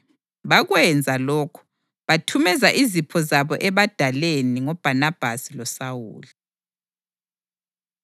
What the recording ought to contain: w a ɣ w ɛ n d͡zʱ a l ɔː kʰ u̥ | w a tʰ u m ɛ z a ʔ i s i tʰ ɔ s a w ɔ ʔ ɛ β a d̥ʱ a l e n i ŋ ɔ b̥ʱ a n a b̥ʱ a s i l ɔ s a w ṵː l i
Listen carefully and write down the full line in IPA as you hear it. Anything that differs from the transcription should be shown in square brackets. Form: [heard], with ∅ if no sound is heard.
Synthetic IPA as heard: [β] a ɣ w ɛ n d͡zʱ a l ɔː kʰ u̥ | [β] a tʰ u m ɛ z a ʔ i [z] i [pʰ] ɔ [z] a [β] ɔ ʔ ɛ β a d̥ʱ a l e n i ŋ ɔ b̥ʱ a n a b̥ʱ a s i l ɔ s a w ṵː l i